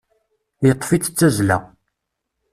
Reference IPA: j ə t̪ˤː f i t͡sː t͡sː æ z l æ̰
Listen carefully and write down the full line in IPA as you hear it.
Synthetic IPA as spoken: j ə t̪ˤː f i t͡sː t͡sː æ z l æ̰